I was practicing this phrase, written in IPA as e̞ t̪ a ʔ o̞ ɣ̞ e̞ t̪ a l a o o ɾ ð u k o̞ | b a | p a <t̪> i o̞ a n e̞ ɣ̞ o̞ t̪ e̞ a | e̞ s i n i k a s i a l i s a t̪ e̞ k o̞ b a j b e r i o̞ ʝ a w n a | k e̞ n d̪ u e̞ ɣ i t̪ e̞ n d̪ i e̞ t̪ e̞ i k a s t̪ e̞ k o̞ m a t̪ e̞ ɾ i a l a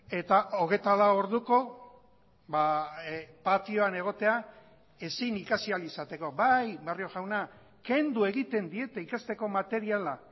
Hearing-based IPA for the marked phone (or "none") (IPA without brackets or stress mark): t̪